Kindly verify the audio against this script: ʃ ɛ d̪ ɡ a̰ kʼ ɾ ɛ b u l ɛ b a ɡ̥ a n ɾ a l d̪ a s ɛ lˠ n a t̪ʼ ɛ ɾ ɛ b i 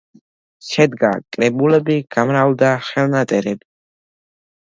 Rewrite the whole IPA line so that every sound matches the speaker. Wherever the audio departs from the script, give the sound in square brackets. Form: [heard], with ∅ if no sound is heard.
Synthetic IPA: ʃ ɛ d̪ ɡ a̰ kʼ ɾ ɛ b u l ɛ b [i] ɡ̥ a [m] ɾ a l d̪ a [χ] ɛ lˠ n a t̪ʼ ɛ ɾ ɛ b i